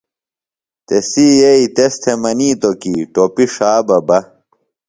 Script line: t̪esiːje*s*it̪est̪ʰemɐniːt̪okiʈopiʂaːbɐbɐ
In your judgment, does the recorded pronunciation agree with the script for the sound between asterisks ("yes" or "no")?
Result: no